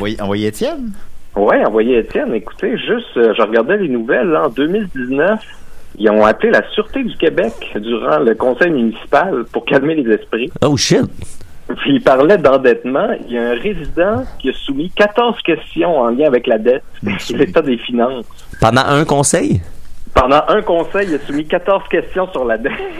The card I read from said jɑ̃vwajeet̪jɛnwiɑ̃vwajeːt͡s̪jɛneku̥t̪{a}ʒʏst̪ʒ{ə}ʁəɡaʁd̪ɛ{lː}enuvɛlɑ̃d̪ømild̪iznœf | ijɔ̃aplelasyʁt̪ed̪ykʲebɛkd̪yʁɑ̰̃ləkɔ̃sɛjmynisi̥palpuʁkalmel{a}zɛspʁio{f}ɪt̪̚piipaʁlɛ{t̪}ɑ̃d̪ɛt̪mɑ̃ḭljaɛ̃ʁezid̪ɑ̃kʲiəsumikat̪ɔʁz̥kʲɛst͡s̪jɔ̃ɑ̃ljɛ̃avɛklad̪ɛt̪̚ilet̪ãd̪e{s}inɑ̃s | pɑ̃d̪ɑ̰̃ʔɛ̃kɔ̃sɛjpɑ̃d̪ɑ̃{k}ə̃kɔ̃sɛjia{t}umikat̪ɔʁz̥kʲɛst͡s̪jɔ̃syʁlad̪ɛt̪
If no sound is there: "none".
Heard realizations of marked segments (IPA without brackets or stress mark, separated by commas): e, ə, l, e, ʃ, d̪, f, ʔ, s